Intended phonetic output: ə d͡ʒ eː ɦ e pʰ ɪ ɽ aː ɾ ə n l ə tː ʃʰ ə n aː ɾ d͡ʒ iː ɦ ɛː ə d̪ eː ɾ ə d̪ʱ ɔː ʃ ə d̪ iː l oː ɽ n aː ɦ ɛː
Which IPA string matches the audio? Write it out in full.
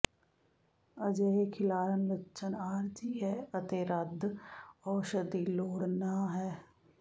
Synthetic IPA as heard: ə d͡ʒ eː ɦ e kʰ ɪ l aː ɾ ə n l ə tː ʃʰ ə n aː ɾ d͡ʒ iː ɦ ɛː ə t̪ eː ɾ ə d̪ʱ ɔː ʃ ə d̪ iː l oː ɽ n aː ɦ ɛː